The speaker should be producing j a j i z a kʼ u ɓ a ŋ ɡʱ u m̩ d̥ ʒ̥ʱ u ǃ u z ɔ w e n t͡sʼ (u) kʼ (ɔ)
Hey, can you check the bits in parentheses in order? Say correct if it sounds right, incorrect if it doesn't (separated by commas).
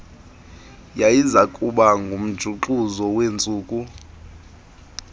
incorrect, incorrect